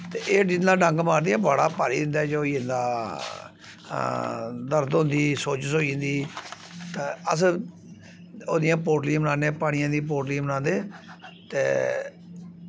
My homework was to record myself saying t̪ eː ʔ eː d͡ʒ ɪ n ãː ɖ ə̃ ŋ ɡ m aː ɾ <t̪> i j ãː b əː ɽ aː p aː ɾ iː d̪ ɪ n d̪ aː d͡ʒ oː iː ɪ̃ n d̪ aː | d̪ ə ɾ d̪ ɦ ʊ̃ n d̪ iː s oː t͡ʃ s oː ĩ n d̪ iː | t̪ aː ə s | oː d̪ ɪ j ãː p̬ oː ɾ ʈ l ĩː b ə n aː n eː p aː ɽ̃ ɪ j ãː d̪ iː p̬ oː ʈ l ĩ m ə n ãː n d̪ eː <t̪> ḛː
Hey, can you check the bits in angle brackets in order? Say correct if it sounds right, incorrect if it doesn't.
incorrect, correct

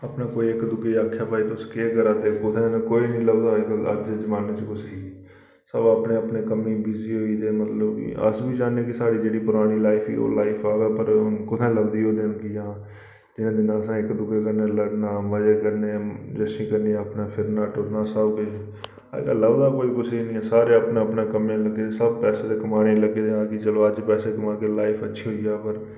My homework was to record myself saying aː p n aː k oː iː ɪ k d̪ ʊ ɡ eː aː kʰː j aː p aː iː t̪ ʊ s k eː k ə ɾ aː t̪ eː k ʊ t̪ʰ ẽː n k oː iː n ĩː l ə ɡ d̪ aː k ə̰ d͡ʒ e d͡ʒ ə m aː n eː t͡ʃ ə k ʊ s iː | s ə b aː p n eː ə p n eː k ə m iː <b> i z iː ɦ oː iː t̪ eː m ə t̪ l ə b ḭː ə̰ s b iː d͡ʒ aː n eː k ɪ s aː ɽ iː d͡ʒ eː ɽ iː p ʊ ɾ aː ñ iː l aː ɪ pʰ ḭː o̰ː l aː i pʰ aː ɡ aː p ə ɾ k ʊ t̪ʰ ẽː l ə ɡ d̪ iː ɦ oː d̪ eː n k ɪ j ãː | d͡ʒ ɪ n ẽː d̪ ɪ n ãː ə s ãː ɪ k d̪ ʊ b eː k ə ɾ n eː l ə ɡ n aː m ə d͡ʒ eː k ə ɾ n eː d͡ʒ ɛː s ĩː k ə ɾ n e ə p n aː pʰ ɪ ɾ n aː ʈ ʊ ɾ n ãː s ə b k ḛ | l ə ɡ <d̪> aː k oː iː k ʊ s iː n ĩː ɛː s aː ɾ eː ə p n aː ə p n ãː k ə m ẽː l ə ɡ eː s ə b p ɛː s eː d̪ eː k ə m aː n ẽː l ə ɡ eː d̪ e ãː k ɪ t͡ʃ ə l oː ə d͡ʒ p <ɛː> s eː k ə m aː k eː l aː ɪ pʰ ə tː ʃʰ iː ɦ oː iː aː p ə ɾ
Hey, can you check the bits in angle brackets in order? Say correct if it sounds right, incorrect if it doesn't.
correct, correct, correct

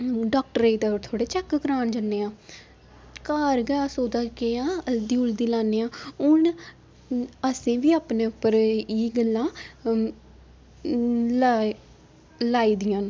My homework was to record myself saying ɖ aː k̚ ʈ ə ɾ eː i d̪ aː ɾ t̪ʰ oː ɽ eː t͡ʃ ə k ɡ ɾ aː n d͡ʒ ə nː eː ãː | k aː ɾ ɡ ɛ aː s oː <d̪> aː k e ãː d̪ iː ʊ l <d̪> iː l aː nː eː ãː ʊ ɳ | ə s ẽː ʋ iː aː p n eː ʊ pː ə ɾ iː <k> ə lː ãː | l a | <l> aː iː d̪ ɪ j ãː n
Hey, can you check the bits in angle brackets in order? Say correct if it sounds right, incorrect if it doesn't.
correct, correct, incorrect, correct

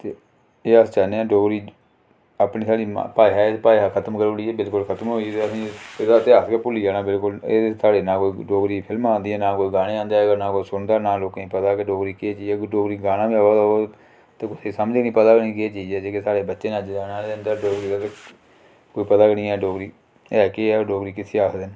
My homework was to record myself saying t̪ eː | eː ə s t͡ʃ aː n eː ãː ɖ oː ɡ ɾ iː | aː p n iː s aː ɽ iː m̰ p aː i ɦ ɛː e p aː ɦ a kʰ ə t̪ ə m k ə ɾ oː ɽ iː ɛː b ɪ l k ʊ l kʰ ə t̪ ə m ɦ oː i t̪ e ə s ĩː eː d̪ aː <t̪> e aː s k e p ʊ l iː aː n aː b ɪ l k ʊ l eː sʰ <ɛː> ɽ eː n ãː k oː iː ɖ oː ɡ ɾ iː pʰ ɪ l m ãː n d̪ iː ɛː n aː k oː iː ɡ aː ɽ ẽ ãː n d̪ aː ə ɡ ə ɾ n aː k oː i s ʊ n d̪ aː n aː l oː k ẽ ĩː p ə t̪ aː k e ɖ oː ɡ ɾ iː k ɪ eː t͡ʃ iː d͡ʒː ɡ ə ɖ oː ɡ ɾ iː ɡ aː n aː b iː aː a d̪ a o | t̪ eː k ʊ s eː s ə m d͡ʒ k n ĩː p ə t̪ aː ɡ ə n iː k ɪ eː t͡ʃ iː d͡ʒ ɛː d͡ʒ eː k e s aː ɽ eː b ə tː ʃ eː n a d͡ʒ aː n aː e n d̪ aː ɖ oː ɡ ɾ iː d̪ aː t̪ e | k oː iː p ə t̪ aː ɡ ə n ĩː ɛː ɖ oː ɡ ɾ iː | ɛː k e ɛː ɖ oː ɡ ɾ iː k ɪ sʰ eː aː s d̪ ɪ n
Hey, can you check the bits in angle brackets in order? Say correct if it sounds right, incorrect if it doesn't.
correct, incorrect

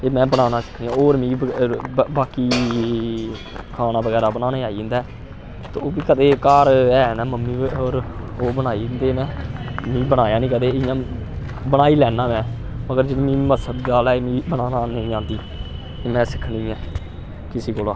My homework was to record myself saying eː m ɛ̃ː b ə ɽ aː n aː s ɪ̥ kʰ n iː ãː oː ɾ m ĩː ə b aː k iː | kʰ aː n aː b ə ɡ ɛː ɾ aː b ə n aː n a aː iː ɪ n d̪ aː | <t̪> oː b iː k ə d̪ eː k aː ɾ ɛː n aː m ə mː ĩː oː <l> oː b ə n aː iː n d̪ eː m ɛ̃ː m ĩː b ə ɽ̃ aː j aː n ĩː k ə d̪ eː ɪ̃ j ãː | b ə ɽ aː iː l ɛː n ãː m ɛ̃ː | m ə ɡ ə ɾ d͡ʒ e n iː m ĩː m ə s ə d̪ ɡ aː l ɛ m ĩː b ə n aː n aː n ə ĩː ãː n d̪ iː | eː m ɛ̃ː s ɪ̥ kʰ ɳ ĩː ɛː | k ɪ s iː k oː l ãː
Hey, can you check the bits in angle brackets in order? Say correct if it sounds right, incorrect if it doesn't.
correct, incorrect

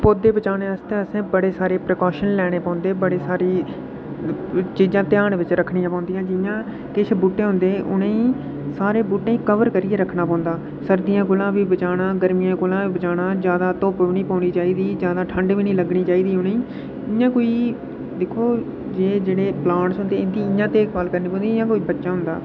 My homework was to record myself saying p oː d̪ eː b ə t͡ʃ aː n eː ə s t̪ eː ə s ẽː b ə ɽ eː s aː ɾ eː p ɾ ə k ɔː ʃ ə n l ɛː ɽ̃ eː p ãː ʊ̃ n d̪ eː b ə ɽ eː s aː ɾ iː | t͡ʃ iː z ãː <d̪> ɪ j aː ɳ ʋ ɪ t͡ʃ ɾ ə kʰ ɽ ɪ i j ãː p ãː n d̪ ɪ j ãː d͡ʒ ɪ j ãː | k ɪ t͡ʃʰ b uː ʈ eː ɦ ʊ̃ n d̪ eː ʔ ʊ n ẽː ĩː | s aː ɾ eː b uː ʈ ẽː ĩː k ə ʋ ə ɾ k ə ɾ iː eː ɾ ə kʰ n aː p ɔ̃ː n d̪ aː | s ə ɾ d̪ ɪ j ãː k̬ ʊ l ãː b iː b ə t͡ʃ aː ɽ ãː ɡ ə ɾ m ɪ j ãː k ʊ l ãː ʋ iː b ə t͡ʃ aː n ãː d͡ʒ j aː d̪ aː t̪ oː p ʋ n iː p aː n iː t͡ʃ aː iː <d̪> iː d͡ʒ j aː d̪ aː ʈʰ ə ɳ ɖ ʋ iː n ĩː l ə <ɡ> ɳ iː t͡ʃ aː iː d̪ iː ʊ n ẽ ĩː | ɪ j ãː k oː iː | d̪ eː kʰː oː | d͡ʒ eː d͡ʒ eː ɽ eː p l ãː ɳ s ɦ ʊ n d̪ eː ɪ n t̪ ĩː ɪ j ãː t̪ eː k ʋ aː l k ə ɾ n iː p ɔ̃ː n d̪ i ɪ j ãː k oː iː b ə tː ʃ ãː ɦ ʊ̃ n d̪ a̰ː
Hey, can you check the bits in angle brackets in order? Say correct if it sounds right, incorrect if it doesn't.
incorrect, correct, correct

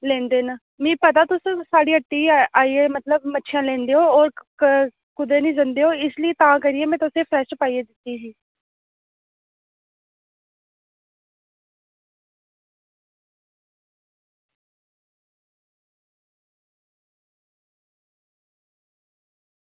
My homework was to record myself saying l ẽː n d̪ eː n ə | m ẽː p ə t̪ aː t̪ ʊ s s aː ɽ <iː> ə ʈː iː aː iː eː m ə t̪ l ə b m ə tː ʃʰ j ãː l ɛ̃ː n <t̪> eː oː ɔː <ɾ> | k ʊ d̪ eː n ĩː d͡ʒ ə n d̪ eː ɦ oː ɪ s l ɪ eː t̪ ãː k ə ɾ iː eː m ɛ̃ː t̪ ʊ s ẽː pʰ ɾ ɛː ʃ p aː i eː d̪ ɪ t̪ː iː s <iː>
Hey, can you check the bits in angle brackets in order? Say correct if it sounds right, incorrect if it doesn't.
correct, incorrect, correct, correct

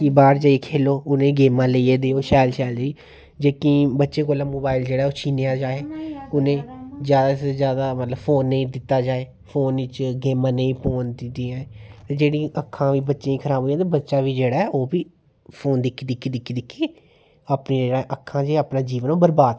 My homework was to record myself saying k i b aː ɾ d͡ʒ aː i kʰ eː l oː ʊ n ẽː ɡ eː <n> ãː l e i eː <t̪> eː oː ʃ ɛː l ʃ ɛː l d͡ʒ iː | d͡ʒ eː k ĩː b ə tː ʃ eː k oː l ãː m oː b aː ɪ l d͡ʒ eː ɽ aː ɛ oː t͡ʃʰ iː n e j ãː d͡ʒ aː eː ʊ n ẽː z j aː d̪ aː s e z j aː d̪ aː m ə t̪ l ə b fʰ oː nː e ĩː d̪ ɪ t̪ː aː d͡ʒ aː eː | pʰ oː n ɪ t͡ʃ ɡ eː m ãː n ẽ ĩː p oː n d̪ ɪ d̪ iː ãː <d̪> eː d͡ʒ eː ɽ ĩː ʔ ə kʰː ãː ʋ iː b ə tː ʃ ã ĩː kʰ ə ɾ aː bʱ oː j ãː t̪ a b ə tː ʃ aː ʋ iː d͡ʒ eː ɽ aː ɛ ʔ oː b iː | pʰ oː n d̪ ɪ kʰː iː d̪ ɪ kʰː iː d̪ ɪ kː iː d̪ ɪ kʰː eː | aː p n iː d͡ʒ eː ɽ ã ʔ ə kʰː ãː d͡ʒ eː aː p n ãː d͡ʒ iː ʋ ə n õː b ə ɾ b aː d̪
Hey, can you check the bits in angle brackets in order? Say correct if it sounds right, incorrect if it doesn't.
incorrect, incorrect, incorrect

